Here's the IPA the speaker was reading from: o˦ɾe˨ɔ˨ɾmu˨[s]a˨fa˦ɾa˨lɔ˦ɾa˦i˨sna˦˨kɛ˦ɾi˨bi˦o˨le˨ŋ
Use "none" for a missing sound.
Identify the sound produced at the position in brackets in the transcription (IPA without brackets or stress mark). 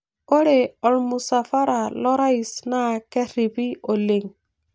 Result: s